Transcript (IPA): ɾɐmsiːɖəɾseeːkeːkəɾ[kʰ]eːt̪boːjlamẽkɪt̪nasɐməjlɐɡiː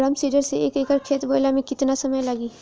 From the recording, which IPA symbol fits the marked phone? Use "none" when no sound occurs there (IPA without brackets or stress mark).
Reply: kʰ